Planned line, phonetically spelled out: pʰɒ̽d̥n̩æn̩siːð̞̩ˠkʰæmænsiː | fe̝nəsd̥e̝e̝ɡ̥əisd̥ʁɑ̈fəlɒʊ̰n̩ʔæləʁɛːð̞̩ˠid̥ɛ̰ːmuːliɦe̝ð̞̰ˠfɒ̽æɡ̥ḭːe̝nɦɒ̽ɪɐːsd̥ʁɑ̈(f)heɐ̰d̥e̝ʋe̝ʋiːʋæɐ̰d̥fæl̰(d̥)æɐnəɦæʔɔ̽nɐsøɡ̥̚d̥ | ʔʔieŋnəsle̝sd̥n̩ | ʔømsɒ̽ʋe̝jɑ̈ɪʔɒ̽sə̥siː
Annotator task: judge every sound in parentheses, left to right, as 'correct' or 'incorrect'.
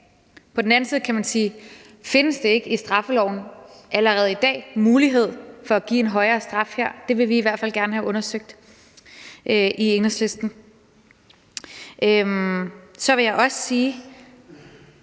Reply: correct, incorrect: ɡ̥

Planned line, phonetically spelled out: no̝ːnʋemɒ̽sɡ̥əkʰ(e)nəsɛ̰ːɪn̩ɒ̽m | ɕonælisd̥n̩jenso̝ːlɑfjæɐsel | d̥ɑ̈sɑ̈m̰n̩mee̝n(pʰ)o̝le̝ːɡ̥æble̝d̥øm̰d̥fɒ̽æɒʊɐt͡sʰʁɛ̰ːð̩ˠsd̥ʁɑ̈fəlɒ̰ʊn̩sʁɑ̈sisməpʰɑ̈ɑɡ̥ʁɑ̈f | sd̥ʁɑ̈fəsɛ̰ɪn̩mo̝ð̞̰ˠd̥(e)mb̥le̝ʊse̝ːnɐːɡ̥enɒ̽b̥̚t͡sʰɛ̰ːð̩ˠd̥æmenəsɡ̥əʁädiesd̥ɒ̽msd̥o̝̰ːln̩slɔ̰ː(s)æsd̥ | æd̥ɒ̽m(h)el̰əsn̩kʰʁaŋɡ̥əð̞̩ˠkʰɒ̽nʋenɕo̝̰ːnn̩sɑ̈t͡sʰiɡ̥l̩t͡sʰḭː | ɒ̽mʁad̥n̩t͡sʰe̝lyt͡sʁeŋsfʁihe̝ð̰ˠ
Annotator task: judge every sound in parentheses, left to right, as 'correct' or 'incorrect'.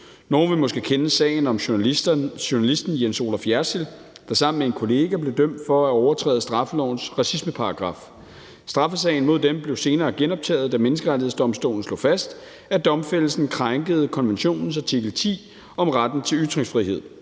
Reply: correct, incorrect: kʰ, correct, incorrect: f, incorrect: f

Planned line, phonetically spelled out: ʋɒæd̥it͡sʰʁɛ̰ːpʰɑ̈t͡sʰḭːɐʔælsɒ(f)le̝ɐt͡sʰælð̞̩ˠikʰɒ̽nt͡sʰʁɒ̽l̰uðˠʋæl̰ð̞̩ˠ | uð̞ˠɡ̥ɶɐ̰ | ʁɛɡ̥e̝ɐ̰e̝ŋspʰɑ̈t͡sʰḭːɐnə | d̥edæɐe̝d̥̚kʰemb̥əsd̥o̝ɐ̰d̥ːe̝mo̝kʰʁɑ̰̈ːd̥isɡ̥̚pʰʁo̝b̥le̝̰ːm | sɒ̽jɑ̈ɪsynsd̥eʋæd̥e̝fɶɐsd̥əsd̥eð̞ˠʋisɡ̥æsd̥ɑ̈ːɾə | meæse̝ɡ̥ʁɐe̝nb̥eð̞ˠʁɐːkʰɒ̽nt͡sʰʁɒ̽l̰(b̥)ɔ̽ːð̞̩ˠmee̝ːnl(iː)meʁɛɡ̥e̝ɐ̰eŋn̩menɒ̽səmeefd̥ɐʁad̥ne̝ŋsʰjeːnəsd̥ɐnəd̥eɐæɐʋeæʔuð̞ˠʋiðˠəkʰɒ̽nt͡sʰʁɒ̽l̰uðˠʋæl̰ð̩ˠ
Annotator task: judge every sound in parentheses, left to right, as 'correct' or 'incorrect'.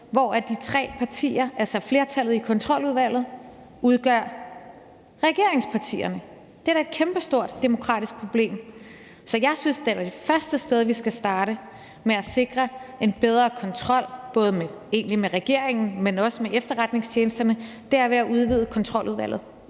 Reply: correct, correct, incorrect: i

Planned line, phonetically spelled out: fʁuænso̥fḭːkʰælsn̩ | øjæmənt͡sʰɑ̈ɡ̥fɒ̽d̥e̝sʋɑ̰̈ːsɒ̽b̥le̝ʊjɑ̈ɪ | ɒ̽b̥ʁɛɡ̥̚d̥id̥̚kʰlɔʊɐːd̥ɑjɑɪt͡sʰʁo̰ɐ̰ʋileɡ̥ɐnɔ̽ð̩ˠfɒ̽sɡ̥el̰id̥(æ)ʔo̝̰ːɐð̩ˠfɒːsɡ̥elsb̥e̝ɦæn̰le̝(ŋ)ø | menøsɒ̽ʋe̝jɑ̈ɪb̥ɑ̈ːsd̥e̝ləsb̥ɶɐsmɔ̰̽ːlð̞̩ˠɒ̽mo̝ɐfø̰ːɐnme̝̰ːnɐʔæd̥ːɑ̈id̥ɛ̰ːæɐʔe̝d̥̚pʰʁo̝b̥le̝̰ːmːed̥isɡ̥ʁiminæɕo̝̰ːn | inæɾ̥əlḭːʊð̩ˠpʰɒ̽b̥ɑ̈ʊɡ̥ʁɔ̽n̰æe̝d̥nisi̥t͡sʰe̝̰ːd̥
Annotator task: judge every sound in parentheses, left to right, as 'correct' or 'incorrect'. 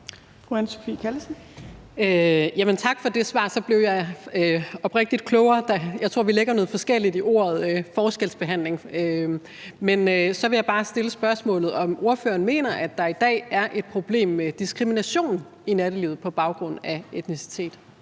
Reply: incorrect: i, correct

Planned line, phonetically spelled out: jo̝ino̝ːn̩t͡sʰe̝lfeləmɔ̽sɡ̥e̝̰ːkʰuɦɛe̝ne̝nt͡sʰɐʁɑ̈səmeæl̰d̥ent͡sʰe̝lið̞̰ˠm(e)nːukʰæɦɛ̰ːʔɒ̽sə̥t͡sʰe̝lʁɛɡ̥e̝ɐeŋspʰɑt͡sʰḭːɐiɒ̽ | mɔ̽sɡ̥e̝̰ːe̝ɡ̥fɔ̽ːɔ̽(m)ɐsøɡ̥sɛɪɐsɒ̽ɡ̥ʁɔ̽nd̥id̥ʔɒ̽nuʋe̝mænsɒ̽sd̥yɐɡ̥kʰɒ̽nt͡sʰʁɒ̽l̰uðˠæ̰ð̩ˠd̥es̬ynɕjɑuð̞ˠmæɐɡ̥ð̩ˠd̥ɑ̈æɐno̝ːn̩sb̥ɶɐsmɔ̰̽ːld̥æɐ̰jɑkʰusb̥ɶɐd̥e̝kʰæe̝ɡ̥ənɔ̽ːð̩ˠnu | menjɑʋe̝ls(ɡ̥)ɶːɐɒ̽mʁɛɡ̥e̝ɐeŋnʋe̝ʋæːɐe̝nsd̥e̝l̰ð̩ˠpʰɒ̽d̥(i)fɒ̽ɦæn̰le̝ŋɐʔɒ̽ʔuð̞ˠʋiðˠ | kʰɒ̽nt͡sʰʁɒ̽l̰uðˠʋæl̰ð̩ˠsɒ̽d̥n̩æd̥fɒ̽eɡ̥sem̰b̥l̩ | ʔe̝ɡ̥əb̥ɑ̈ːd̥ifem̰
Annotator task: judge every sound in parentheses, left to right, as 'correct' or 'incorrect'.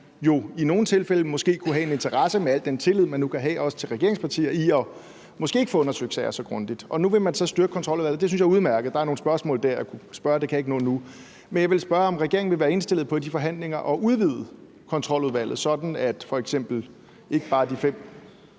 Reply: incorrect: æ, incorrect: n, incorrect: b̥, correct

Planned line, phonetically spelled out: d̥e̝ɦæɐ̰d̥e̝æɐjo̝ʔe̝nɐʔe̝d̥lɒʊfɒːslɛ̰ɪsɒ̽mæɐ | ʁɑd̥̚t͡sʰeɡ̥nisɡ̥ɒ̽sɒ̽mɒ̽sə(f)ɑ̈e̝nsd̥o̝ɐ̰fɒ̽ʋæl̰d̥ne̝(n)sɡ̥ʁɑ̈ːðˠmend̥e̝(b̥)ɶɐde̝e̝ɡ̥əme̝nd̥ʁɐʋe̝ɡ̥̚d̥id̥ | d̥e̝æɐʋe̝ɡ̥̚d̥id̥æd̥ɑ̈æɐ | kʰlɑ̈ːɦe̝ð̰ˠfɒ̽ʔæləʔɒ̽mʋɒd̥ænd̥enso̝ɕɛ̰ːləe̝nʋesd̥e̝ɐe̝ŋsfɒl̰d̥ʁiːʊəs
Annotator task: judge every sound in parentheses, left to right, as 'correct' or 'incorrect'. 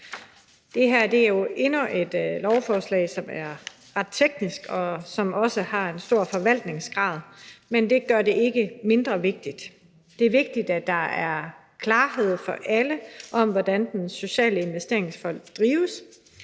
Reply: incorrect: h, incorrect: ŋ, incorrect: ɡ̥

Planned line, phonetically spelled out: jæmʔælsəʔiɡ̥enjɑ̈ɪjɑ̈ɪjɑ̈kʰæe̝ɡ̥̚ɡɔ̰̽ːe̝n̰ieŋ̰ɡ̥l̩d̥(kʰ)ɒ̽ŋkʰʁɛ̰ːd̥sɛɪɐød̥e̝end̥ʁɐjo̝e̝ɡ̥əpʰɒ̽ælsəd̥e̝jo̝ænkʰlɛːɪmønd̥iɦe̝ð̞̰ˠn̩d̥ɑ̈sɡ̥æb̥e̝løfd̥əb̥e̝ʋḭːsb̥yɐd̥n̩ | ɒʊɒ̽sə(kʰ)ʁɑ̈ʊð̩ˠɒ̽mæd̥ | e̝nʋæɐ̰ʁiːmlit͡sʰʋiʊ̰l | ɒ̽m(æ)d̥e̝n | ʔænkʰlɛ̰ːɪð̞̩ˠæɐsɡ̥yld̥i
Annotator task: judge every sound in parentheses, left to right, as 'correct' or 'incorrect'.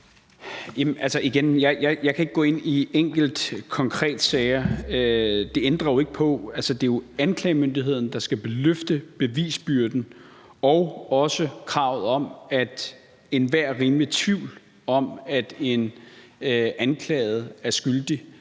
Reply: correct, correct, correct

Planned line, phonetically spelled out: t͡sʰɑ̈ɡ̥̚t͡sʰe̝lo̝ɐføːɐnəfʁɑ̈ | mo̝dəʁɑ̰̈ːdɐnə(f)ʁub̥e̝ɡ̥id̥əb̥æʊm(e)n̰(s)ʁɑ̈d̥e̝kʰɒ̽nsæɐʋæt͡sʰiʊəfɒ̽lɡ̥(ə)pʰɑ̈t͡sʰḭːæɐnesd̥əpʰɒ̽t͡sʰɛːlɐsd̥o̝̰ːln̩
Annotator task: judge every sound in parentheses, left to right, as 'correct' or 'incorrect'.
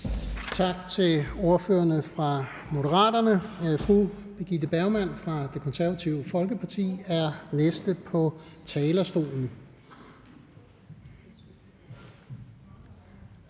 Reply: correct, incorrect: æ, incorrect: f, correct

